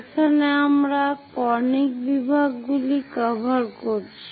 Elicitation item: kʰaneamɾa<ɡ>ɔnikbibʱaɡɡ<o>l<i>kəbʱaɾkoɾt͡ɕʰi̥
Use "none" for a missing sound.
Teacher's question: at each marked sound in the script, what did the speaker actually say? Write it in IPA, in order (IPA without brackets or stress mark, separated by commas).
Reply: k, u, i